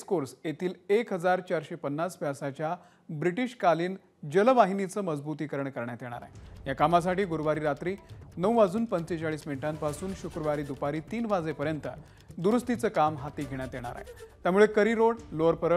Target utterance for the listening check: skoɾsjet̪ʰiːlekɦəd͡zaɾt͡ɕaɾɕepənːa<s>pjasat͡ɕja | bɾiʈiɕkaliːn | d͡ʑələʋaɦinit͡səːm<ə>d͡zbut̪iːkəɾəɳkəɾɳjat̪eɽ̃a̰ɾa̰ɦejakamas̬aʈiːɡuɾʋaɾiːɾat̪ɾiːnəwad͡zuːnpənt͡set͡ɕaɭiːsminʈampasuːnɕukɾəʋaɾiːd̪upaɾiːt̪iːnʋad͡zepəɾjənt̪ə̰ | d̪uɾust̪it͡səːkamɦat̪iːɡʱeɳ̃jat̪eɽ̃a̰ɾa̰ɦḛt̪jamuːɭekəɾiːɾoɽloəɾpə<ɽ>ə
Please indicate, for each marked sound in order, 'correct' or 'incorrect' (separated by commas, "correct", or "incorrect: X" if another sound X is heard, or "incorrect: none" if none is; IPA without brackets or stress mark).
correct, correct, incorrect: ɾ